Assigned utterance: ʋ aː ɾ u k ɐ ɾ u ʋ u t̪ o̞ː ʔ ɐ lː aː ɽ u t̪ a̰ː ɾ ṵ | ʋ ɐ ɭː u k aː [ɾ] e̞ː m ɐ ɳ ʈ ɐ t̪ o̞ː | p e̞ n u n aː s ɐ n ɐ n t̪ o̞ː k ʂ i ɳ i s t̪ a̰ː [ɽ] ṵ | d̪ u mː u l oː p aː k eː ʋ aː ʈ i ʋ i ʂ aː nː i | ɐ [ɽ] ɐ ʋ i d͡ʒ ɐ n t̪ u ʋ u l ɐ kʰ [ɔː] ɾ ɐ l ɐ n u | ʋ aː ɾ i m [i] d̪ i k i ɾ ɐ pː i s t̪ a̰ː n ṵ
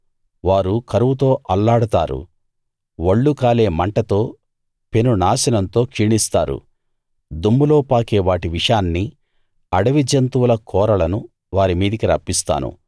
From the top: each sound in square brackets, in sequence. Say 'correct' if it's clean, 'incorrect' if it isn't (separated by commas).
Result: incorrect, incorrect, correct, correct, incorrect